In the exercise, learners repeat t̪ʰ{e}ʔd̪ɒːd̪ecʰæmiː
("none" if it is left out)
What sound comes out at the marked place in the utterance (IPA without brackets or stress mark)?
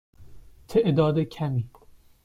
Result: e